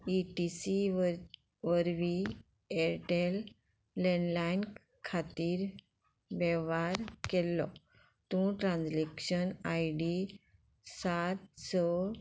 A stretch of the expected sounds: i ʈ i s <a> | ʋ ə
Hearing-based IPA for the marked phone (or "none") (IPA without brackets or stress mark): i